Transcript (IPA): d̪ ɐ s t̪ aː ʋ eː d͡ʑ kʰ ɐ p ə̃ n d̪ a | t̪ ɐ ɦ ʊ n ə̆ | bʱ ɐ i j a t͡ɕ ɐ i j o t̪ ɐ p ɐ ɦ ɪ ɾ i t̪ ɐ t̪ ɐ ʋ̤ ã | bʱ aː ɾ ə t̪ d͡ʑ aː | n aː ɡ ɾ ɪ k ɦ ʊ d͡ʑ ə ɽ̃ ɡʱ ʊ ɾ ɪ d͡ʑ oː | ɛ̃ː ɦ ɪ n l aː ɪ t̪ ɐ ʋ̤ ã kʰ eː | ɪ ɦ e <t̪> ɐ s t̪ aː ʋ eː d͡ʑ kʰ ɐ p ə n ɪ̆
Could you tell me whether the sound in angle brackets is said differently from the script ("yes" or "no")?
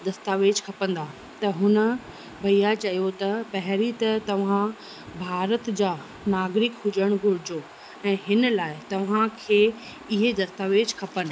yes